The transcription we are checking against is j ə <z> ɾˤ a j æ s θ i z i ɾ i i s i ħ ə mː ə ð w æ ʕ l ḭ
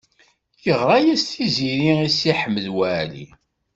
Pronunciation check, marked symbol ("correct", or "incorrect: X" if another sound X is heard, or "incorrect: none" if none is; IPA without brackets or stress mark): incorrect: ʁ